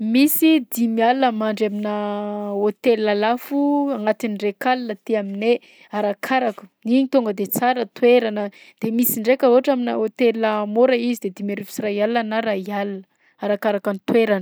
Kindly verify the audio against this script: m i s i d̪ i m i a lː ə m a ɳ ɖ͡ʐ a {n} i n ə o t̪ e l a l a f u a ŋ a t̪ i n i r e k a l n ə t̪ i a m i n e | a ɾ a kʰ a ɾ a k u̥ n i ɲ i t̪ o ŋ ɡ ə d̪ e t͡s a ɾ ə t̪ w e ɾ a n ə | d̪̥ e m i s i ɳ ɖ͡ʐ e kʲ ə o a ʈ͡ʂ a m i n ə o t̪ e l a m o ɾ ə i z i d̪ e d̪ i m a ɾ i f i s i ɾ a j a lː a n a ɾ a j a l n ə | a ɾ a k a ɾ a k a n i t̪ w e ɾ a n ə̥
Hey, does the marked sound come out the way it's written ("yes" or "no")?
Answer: no